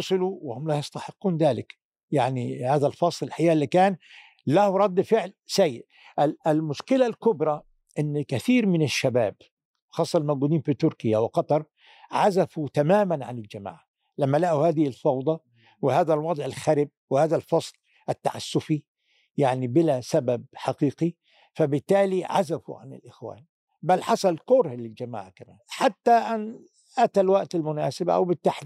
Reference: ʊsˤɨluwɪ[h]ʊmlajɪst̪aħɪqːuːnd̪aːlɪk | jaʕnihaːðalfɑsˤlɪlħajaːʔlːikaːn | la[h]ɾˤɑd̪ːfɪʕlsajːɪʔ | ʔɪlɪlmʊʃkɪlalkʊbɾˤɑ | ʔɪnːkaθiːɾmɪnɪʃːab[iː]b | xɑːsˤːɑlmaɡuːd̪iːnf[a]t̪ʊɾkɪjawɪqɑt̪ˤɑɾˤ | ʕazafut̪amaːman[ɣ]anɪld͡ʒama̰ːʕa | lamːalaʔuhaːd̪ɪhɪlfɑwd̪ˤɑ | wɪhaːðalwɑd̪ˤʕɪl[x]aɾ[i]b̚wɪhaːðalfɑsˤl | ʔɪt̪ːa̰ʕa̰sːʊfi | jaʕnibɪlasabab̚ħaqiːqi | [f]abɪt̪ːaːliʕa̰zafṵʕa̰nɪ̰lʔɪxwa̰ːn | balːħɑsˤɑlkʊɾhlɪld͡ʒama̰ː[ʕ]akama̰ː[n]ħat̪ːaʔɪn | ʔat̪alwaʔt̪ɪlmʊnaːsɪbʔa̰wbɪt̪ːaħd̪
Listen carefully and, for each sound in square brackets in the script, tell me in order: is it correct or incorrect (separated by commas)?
correct, correct, incorrect, incorrect, incorrect, correct, incorrect, correct, correct, correct